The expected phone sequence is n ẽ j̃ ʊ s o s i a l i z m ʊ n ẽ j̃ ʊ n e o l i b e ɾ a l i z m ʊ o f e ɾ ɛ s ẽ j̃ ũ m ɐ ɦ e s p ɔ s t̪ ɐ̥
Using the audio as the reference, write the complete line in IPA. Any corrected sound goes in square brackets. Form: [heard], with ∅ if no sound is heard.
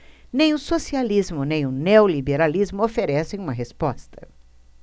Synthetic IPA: n ẽ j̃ ʊ s o s i a l i z m ʊ n ẽ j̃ ʊ n e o l i b e ɾ a l i z m ʊ o f e ɾ ɛ s ẽ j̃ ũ m ɐ ɦ e s p ɔ s t̪ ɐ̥